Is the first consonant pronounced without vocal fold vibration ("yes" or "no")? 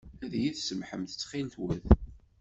no